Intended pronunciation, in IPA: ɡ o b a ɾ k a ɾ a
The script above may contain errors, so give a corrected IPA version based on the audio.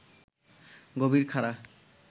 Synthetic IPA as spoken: ɡ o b i ɾ kʰ a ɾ a